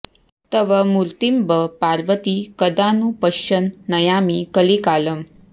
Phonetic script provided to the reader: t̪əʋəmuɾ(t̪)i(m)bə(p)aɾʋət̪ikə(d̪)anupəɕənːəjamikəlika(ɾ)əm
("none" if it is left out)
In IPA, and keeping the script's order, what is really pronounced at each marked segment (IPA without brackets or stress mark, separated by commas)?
t̪, m, p, d̪, l